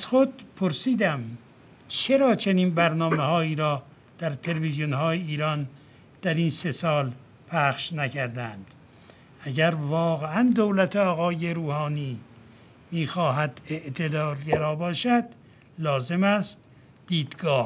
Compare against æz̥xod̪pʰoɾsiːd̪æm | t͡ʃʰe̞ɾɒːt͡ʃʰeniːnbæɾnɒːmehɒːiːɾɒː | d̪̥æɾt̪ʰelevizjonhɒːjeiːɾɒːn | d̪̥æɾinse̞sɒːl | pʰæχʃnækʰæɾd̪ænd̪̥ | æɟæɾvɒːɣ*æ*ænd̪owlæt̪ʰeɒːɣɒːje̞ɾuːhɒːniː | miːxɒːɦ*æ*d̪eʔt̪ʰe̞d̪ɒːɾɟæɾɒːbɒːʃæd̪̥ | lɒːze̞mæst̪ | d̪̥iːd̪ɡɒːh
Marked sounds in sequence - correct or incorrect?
incorrect, correct

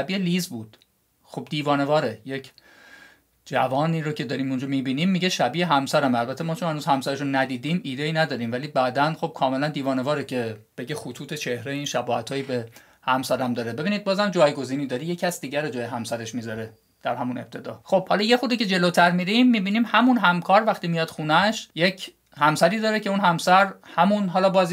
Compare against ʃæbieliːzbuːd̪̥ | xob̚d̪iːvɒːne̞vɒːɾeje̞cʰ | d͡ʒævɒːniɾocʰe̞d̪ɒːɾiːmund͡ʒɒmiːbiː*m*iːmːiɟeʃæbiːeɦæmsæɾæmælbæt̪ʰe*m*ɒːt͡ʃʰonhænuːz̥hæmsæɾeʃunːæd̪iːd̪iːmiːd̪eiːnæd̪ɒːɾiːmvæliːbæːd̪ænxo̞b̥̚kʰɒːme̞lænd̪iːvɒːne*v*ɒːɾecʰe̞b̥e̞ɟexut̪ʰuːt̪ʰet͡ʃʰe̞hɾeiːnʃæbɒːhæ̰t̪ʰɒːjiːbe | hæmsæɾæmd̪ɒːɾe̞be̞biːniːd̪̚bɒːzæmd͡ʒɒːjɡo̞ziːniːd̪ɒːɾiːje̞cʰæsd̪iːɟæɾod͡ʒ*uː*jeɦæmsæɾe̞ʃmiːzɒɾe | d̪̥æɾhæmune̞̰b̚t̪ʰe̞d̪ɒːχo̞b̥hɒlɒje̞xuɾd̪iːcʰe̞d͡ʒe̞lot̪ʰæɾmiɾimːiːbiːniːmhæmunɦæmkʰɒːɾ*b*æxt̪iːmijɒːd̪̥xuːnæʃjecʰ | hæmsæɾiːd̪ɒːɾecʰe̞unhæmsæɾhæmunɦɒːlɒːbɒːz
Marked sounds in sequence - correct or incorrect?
incorrect, correct, correct, incorrect, incorrect

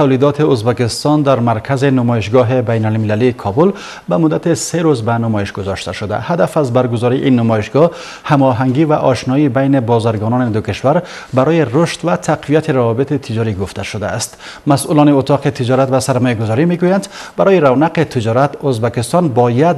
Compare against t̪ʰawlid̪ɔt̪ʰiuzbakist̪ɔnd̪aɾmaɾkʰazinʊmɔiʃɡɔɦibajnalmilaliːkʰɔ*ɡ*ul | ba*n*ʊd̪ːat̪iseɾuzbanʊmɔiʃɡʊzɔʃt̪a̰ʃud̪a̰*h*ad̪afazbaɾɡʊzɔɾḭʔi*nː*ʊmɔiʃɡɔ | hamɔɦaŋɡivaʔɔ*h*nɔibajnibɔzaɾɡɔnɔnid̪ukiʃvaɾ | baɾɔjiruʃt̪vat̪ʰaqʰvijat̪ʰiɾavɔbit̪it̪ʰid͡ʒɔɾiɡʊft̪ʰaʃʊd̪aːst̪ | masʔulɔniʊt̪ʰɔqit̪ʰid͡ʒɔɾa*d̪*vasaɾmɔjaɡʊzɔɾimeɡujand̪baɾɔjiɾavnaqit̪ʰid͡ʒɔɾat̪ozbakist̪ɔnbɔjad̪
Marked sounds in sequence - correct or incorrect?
incorrect, incorrect, correct, correct, incorrect, incorrect

